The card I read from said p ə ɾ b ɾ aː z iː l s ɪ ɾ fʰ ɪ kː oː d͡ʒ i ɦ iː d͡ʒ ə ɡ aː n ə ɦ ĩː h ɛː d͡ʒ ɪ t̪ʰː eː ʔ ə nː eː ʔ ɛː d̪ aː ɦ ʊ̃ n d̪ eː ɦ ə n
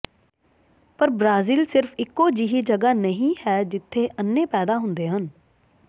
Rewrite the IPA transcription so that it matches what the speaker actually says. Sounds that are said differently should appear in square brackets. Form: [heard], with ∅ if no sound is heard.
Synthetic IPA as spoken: p ə ɾ b ɾ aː z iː l s ɪ ɾ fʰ ɪ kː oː d͡ʒ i ɦ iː d͡ʒ ə ɡ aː n ə ɦ ĩː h ɛː d͡ʒ ɪ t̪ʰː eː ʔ ə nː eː [p] ɛː d̪ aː ɦ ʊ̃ n d̪ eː ɦ ə n